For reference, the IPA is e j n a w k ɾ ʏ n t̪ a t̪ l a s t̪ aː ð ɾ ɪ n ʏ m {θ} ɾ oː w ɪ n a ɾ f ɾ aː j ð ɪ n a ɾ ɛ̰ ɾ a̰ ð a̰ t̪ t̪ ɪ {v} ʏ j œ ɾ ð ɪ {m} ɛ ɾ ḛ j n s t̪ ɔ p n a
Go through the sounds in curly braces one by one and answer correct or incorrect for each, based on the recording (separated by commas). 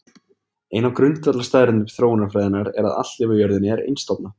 correct, correct, incorrect